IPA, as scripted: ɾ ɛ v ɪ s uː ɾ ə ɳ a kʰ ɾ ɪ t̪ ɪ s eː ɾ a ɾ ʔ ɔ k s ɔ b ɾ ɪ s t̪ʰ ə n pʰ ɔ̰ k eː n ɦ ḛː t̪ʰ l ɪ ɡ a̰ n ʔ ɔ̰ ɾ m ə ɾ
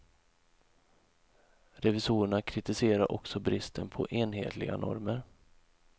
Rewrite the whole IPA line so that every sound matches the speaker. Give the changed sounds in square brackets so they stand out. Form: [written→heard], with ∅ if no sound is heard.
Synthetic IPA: ɾ ɛ v ɪ s uː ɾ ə ɳ a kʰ ɾ ɪ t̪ ɪ s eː ɾ a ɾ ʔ ɔ k s ɔ b ɾ ɪ s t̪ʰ ə n pʰ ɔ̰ [k→ʔ] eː n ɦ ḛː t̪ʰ l ɪ ɡ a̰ n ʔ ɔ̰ ɾ m ə ɾ